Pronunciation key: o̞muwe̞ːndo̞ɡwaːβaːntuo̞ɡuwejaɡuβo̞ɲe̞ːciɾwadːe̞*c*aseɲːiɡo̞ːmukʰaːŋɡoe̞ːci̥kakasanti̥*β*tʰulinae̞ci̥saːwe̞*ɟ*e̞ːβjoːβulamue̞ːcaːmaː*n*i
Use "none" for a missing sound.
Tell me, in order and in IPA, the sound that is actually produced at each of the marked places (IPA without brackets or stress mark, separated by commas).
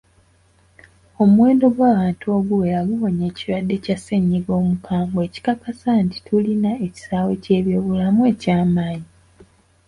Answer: c, none, c, ɲ